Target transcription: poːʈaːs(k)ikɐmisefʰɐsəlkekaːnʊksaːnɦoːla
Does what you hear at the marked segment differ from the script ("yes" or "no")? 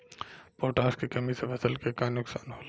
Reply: no